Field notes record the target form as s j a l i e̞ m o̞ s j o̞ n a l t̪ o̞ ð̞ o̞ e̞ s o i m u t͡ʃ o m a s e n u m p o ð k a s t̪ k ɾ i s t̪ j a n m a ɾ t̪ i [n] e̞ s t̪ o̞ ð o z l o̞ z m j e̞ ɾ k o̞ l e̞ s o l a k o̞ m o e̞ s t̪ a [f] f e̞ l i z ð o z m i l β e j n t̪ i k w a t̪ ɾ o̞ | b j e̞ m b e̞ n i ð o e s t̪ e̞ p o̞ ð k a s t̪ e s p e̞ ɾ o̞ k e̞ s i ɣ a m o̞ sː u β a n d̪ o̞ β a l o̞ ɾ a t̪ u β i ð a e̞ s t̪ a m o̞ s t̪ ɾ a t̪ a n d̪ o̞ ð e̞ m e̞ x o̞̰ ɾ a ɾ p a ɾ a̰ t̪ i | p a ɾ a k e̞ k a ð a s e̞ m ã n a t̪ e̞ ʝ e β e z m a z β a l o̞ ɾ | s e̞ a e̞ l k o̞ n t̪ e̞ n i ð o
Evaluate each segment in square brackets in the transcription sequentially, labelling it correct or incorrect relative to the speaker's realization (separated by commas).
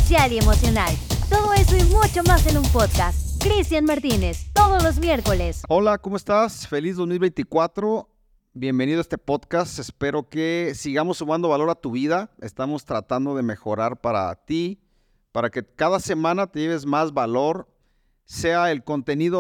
correct, incorrect